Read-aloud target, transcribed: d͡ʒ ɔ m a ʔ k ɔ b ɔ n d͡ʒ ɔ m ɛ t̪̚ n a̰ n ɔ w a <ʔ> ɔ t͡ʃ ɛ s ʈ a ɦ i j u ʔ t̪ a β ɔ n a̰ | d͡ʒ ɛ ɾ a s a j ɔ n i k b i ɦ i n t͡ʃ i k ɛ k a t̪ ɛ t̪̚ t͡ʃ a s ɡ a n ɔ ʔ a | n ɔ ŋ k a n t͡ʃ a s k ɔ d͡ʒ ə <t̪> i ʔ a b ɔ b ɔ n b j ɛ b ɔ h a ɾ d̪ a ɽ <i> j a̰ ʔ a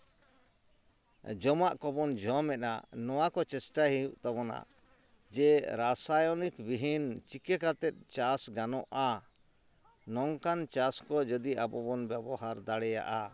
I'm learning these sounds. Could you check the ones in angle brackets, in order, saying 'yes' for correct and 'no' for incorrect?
no, no, no

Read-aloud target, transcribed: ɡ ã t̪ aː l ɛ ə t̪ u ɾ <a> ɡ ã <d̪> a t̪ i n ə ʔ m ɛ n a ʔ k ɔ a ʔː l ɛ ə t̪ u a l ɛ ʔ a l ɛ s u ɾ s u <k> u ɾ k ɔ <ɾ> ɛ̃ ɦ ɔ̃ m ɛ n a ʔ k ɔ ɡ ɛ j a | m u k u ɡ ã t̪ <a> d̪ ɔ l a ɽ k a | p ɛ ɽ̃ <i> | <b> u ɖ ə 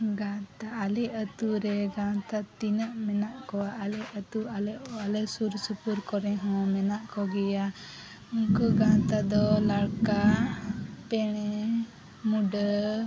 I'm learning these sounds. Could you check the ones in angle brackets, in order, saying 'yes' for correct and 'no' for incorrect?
no, no, no, yes, yes, no, no

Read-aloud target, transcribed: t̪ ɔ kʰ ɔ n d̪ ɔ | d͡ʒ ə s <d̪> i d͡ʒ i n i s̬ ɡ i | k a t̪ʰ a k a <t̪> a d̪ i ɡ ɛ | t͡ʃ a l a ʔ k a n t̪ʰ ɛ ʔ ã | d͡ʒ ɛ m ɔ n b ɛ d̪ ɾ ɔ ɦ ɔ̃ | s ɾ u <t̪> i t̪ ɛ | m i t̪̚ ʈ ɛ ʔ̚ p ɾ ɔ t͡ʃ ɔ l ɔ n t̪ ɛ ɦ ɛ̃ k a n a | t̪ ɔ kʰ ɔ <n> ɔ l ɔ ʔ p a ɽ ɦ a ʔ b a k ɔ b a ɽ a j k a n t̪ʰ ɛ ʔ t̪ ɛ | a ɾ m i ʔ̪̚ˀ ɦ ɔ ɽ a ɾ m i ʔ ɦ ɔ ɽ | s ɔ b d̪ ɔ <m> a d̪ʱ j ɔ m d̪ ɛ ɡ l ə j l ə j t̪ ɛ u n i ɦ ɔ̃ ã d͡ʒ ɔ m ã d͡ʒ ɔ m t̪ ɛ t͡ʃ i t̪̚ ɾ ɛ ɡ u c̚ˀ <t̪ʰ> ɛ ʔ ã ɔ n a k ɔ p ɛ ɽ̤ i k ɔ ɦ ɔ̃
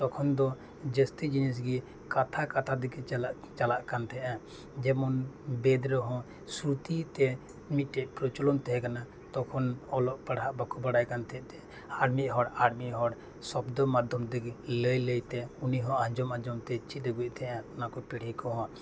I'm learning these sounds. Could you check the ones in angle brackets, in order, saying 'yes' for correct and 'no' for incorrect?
no, no, yes, yes, yes, yes

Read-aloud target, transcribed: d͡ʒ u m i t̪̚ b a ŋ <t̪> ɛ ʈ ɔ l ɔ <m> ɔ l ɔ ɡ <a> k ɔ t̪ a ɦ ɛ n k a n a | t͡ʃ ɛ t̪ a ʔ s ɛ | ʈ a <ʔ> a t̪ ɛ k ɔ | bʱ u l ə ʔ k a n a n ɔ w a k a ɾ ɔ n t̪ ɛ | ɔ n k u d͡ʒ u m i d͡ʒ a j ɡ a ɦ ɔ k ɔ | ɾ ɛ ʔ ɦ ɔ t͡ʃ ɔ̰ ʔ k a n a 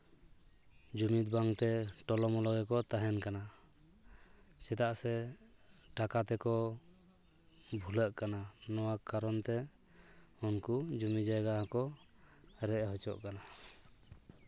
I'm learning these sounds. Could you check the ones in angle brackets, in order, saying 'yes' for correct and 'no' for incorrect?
yes, yes, no, no

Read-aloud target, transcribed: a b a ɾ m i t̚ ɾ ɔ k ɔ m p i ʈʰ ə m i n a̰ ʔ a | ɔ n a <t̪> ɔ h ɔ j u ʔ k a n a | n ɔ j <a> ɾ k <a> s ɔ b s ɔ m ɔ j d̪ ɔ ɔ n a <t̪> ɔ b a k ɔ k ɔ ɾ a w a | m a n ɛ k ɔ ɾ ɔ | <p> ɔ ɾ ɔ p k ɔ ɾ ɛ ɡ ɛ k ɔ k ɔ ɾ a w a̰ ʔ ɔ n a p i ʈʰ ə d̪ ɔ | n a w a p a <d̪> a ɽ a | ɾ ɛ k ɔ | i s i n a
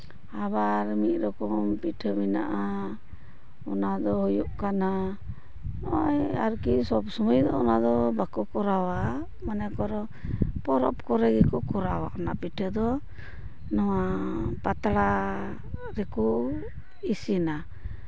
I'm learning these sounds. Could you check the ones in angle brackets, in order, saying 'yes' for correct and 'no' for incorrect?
no, yes, no, no, yes, no

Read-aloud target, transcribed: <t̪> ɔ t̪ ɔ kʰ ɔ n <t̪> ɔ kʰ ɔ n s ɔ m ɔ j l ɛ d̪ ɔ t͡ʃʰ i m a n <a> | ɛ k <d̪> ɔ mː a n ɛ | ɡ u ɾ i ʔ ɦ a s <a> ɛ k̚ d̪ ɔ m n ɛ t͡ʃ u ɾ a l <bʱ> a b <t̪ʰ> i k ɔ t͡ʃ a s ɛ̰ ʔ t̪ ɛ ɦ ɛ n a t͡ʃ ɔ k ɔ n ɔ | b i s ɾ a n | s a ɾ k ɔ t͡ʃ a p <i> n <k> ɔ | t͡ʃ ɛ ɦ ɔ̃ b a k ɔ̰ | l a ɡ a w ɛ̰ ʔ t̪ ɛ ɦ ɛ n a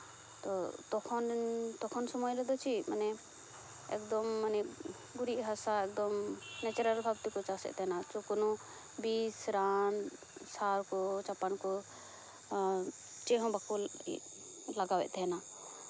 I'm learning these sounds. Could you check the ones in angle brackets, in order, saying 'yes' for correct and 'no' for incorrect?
yes, yes, no, yes, yes, yes, no, no, yes

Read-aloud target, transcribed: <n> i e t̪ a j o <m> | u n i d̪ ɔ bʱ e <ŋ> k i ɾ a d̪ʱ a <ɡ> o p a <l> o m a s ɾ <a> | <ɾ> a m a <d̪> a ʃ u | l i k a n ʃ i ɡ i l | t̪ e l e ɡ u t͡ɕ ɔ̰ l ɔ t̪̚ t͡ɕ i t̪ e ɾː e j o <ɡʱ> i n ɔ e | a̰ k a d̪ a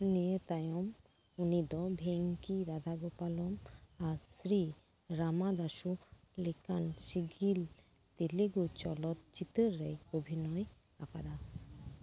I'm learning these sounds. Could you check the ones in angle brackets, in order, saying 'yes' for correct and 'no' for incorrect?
yes, yes, yes, yes, yes, no, yes, yes, no

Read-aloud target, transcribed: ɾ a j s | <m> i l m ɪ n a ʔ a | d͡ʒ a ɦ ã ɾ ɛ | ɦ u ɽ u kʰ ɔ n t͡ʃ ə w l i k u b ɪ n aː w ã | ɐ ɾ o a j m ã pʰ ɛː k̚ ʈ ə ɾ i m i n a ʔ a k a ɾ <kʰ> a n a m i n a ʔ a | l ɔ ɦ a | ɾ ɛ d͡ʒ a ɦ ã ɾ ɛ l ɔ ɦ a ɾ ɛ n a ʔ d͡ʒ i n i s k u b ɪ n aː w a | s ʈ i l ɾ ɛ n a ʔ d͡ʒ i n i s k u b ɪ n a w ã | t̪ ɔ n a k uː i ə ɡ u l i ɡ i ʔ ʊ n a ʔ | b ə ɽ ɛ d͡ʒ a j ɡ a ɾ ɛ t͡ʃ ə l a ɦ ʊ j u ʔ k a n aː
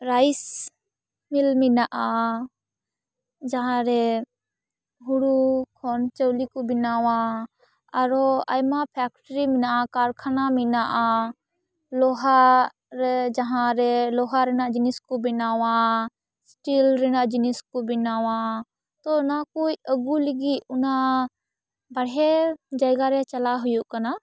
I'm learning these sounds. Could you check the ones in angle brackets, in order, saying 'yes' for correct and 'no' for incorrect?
yes, yes

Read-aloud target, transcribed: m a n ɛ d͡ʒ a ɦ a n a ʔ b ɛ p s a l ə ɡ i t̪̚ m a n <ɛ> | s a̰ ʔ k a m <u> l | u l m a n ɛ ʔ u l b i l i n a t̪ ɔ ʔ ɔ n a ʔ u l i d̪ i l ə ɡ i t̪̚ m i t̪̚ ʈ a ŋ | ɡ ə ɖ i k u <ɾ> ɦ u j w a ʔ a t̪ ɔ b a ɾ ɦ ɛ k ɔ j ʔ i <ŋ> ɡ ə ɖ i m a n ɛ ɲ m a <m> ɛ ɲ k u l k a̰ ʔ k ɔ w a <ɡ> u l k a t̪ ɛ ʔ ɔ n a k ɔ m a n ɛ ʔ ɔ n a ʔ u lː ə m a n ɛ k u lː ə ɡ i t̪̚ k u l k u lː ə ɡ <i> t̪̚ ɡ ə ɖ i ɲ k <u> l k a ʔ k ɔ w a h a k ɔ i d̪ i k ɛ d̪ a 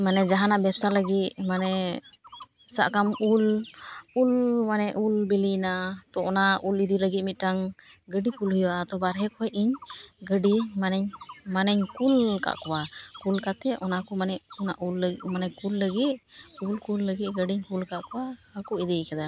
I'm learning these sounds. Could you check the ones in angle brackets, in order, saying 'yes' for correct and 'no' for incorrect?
yes, yes, no, no, no, no, yes, yes

